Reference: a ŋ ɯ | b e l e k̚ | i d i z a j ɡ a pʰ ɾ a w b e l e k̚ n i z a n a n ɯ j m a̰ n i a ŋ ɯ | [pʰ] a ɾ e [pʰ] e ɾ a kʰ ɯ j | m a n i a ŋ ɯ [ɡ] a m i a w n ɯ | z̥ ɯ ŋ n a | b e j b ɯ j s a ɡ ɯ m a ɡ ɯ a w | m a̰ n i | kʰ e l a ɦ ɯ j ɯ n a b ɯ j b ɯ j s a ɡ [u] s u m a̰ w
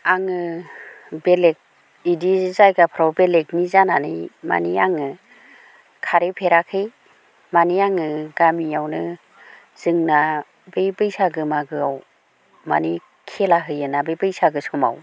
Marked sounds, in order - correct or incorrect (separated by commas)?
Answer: incorrect, correct, correct, incorrect